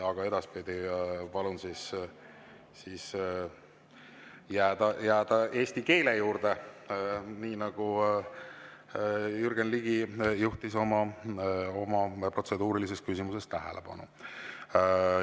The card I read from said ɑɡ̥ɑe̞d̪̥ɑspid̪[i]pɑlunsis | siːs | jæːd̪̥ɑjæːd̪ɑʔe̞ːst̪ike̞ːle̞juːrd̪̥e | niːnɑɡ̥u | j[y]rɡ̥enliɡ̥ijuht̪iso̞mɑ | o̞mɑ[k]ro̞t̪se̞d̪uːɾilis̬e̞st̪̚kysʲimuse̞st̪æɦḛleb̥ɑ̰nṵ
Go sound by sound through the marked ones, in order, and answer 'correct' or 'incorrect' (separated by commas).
correct, correct, incorrect